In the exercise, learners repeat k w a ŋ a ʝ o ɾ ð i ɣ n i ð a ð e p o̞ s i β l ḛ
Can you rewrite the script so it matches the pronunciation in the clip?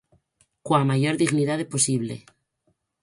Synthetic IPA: k w a m a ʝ o ɾ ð i ɣ n i ð a ð e p o̞ s i β l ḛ